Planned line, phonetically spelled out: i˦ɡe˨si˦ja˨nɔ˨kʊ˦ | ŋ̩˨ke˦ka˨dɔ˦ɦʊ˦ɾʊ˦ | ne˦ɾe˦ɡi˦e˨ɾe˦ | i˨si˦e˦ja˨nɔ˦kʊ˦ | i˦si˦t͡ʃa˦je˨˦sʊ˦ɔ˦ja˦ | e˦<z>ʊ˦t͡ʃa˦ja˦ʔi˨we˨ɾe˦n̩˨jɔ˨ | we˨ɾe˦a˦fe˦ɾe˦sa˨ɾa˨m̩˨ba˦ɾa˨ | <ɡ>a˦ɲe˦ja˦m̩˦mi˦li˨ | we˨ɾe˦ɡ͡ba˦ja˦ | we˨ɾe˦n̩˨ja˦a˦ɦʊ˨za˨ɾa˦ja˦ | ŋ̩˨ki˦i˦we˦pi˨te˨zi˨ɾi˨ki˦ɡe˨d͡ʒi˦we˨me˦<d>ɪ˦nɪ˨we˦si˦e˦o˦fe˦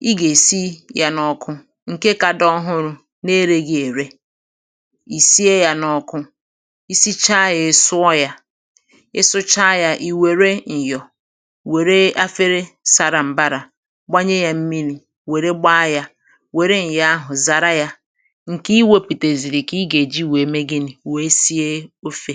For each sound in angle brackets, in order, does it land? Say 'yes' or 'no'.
no, no, no

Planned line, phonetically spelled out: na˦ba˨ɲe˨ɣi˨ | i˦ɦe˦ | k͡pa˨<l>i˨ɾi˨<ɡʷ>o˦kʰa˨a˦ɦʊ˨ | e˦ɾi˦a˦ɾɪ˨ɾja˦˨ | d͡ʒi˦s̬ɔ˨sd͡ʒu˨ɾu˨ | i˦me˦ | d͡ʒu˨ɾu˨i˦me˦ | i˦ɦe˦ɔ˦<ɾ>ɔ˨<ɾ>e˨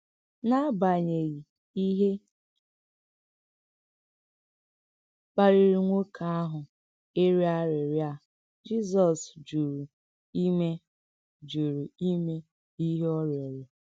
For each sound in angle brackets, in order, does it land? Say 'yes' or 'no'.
no, no, yes, yes

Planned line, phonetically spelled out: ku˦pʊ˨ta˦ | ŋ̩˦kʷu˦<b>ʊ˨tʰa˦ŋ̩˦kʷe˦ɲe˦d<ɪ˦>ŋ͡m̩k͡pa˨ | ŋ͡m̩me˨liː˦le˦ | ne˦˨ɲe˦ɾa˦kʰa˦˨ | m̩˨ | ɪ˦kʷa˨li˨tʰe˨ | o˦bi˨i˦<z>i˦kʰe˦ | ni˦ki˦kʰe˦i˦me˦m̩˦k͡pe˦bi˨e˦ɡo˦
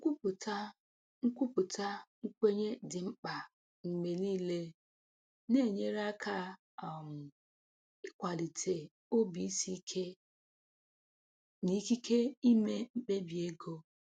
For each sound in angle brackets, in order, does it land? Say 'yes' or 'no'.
no, no, no

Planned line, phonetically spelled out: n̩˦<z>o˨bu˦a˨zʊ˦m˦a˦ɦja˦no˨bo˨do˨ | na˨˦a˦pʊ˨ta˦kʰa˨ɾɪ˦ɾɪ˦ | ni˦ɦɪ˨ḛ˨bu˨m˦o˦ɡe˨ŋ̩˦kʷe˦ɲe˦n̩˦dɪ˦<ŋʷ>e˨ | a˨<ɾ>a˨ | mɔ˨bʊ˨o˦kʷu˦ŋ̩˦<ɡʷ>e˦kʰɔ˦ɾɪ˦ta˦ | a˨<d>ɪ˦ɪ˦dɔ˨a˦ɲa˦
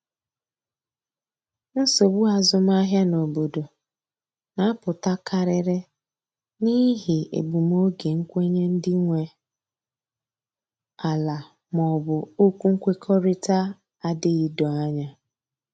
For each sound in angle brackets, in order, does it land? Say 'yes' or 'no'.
no, yes, no, no, yes

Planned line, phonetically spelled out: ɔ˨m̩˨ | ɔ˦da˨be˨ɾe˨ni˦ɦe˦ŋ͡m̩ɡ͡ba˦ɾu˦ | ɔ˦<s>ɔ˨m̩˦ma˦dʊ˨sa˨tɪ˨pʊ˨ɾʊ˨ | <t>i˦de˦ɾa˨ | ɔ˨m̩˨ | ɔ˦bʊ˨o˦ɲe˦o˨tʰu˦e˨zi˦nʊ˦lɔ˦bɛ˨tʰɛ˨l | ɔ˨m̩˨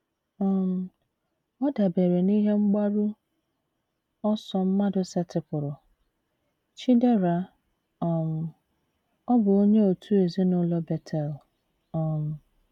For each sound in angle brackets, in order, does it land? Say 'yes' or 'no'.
yes, no

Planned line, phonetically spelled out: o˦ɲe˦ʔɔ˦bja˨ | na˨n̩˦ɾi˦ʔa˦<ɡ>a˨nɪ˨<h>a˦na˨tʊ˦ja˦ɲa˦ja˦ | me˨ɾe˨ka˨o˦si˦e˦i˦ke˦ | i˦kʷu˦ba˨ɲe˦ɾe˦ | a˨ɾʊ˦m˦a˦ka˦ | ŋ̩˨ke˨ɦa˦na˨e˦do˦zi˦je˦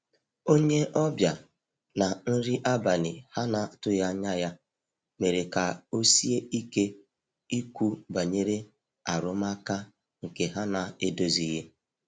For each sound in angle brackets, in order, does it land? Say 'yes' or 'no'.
no, yes

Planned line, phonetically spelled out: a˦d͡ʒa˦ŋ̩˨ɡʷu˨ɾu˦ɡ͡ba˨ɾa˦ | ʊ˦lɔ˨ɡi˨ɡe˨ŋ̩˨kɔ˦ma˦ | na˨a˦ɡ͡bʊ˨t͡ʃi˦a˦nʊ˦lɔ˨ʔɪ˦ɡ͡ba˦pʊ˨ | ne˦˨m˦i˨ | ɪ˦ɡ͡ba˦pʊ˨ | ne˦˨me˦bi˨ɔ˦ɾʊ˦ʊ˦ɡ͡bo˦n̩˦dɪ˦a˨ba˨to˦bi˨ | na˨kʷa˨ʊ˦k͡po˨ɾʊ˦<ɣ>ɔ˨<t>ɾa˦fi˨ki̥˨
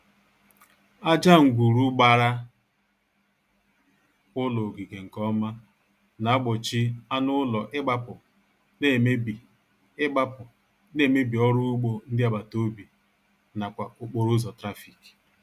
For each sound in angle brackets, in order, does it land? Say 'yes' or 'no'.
no, yes

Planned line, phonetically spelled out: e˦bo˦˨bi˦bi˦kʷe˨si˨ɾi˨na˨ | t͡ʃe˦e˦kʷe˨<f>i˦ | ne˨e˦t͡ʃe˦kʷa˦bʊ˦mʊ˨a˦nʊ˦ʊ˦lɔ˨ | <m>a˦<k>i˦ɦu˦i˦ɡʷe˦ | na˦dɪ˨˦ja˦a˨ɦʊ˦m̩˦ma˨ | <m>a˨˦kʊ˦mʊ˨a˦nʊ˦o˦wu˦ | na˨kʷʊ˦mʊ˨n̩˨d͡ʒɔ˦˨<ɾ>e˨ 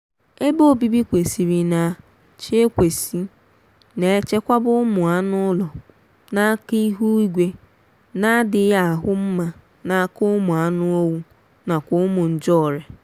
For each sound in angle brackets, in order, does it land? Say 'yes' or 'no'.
no, no, yes, no, yes

